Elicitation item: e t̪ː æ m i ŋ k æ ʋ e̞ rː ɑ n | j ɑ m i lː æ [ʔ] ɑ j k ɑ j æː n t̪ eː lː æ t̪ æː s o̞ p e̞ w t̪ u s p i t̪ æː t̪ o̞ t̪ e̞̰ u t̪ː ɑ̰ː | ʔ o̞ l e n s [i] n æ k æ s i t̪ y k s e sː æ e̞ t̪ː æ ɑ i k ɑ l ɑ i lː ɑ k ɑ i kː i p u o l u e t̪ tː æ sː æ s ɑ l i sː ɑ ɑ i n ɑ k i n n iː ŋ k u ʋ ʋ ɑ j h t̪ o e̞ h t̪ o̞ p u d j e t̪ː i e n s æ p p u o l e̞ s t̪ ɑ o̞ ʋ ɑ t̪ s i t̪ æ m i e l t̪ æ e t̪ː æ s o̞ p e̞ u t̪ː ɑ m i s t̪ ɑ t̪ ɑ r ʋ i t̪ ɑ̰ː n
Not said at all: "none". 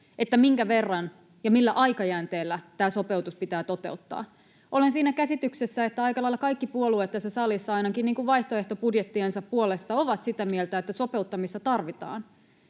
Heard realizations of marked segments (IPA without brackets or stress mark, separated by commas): ʔ, iː